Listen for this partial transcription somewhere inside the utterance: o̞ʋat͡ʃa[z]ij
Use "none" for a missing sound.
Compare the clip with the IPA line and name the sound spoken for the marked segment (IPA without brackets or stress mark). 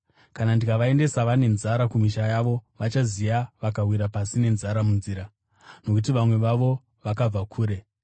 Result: z